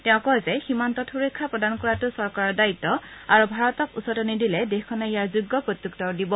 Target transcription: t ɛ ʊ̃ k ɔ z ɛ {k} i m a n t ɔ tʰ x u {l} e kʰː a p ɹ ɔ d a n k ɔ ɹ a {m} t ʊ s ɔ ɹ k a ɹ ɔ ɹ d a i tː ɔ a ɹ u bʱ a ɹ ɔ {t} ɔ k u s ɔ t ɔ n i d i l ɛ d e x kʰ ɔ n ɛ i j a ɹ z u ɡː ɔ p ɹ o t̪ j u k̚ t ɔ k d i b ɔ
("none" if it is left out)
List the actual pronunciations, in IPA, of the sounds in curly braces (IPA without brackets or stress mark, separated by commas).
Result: x, ɹ, none, t